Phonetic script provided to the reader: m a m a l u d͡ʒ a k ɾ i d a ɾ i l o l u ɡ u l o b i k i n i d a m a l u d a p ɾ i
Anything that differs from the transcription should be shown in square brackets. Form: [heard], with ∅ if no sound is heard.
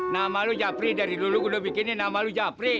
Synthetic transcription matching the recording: [n] a m a l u d͡ʒ a [p] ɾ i d a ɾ i l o l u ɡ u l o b i k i n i [n] a m a l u [d͡ʒ] a p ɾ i

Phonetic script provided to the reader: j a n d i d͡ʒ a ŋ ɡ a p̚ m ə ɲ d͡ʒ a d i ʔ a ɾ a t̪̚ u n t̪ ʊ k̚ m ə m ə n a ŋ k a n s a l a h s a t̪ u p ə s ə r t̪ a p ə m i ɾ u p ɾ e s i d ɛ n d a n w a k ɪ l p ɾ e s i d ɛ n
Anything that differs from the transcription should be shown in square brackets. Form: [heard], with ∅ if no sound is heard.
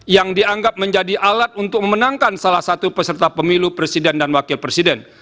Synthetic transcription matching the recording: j a [ŋ] d i [∅] a ŋ ɡ a p̚ m ə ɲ d͡ʒ a d i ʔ a [l] a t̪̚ u n t̪ ʊ k̚ m ə m ə n a ŋ k a n s a l a h s a t̪ u p ə s ə r t̪ a p ə m i [l] u p ɾ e s i d ɛ n d a n w a k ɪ l p ɾ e s i d ɛ n

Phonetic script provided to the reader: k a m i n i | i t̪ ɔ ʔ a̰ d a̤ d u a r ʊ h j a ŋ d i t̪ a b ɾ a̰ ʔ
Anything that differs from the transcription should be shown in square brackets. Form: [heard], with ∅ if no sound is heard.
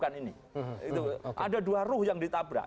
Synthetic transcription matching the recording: k a [n] i n i | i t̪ [u] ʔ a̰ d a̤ d u a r ʊ h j a ŋ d i t̪ a b ɾ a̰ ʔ

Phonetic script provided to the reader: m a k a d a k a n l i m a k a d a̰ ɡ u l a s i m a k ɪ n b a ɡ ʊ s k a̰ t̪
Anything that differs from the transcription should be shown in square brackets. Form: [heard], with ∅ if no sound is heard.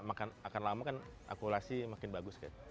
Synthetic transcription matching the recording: m a k a [n] a k a n l [a] m a k a [n] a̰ [k] u l a s i m a k ɪ n b a ɡ ʊ s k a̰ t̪

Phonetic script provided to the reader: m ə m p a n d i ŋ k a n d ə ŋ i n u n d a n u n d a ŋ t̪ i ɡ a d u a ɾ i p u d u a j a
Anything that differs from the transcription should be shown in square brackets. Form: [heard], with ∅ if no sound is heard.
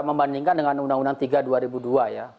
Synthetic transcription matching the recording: m ə m [b] a n d i ŋ k a n d ə ŋ [a] n u n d a [ŋ] u n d a ŋ t̪ i ɡ a d u a ɾ i [b] u d u a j a

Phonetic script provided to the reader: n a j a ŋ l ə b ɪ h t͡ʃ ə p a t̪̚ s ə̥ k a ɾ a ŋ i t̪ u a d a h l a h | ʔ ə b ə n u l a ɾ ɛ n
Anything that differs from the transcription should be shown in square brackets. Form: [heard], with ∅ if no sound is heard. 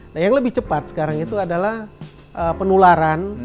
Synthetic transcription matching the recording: n a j a ŋ l ə b ɪ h t͡ʃ ə p a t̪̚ s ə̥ k a ɾ a ŋ i t̪ u a d a [∅] l a h | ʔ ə [p] ə n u l a ɾ [a] n

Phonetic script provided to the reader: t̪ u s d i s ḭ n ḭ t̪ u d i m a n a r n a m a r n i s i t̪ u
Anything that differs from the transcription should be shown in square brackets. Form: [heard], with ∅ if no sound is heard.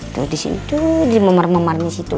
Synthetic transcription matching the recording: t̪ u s d i s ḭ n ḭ t̪ u d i m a [m] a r [m] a m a r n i s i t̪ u

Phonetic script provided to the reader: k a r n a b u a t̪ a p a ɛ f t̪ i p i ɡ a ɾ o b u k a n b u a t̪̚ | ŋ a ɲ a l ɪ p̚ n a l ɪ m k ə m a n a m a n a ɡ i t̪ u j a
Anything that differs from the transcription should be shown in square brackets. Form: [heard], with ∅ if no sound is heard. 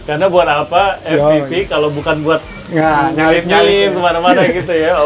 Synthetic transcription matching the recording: k a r n a b u a t̪ a p a ɛ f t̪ i p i [k] a [l] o b u k a n b u a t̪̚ | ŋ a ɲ a l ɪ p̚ [ɲ] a l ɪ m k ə m a n a m a n a ɡ i t̪ u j a

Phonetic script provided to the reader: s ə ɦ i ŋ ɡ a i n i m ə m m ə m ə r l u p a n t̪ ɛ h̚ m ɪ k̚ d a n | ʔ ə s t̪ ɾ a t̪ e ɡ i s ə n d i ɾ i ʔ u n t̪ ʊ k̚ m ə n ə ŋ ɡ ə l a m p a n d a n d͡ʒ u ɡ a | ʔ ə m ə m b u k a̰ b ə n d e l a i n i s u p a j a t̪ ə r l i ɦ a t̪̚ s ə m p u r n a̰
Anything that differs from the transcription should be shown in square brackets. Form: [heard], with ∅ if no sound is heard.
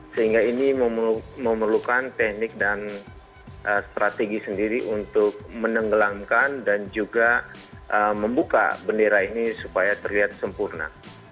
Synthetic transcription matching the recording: s ə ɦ i ŋ ɡ a i n i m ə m m ə m ə r l u [k] a n t̪ ɛ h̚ [n] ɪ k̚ d a n | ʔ ə s t̪ ɾ a t̪ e ɡ i s ə n d i ɾ i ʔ u n t̪ ʊ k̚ m ə n ə ŋ ɡ ə l a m [k] a n d a n d͡ʒ u ɡ a | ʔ ə m ə m b u k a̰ b ə n d e [ɾ] a i n i s u p a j a t̪ ə r l i ɦ a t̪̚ s ə m p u r n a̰

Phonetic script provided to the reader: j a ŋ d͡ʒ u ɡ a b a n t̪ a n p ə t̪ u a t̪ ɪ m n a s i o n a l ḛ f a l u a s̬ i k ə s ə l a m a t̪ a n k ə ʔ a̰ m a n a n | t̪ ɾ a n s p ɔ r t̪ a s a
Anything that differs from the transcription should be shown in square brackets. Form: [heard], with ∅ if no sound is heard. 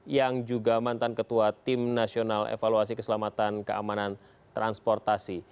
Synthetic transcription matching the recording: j a ŋ d͡ʒ u ɡ a [m] a n t̪ a n [k] ə t̪ u a t̪ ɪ m n a s i o n a l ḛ f a l u a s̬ i k ə s ə l a m a t̪ a n k ə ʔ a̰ m a n a n | t̪ ɾ a n s p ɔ r t̪ a s [i]

